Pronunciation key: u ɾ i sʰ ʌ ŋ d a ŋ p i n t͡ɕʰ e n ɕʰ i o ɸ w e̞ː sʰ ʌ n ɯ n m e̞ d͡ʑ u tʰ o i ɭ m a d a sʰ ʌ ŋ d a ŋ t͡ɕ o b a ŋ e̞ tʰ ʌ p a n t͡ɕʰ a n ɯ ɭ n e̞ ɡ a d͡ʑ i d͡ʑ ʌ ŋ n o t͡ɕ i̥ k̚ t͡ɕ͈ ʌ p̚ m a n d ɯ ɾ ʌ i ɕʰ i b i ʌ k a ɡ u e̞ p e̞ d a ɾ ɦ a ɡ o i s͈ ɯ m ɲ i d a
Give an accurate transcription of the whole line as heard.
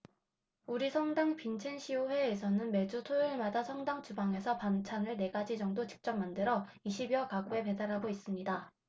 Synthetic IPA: u ɾ i sʰ ʌ ŋ d a ŋ p i n t͡ɕʰ e n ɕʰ i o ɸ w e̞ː sʰ ʌ n ɯ n m e̞ d͡ʑ u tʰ o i ɭ m a d a sʰ ʌ ŋ d a ŋ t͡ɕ u b a ŋ e̞ sʰ ʌ p a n t͡ɕʰ a n ɯ ɭ n e̞ ɡ a d͡ʑ i d͡ʑ ʌ ŋ d o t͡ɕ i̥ k̚ t͡ɕ͈ ʌ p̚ m a n d ɯ ɾ ʌ i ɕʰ i b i ʌ k a ɡ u e̞ p e̞ d a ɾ ɦ a ɡ o i s͈ ɯ m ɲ i d a